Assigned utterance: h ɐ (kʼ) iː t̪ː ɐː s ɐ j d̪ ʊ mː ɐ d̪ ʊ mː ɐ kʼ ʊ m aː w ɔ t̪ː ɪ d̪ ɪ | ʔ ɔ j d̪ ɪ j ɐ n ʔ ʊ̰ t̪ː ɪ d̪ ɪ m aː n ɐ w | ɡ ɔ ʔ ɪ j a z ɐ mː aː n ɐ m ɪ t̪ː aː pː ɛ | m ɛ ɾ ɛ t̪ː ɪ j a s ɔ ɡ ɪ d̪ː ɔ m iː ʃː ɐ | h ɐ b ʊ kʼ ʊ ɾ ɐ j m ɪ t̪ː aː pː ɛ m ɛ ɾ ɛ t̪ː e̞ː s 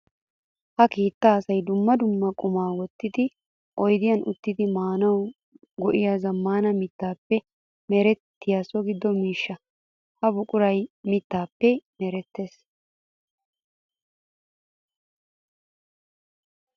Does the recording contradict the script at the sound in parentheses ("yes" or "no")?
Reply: yes